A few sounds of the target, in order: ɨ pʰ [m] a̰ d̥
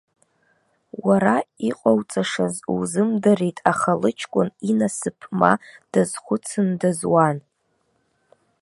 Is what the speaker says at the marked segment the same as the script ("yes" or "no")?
yes